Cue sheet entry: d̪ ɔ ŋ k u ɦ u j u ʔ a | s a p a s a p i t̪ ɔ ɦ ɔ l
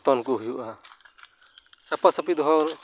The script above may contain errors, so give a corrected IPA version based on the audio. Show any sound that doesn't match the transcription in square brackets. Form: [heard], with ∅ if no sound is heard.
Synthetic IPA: [t̪] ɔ [n] k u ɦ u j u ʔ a | s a p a s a p i [d̪] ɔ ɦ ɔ [ɾ]